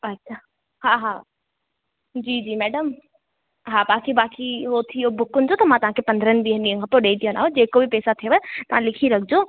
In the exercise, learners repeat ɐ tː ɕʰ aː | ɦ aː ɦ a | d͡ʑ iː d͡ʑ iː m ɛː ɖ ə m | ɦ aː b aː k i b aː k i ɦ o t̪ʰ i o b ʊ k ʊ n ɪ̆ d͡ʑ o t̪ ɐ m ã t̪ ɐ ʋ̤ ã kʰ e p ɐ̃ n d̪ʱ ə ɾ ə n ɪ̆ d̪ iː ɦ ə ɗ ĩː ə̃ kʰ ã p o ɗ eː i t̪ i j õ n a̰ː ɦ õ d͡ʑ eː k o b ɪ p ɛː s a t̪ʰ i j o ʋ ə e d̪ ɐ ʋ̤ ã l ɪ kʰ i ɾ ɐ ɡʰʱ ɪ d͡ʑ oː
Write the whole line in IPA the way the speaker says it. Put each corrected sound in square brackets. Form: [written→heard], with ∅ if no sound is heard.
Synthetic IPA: ɐ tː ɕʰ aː | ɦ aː ɦ a | d͡ʑ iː d͡ʑ iː m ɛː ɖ ə m | ɦ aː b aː k i b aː k i ɦ o t̪ʰ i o b ʊ k ʊ n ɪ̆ d͡ʑ o t̪ ɐ m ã t̪ ɐ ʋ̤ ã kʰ e p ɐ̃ n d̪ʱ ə ɾ ə n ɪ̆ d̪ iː ɦ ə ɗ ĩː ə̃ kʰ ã p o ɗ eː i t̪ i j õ n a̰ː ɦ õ d͡ʑ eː k o b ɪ p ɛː s a t̪ʰ i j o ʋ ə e [d̪→t̪] ɐ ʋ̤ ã l ɪ kʰ i ɾ ɐ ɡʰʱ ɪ d͡ʑ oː